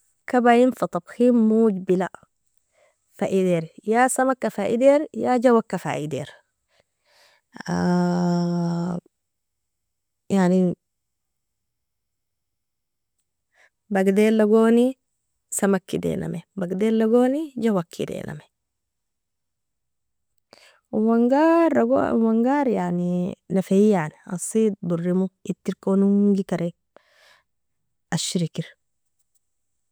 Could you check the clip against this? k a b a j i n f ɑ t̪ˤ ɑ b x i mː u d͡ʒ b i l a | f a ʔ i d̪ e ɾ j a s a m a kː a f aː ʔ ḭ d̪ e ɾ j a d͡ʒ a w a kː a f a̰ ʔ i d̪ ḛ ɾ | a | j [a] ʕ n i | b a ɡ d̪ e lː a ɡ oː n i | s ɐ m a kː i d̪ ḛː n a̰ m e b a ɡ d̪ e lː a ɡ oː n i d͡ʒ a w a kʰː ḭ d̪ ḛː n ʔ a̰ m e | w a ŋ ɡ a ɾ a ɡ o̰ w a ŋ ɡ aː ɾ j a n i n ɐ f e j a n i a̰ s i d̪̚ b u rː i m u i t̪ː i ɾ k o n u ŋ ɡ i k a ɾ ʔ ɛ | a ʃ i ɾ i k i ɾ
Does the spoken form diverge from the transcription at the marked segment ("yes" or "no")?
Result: no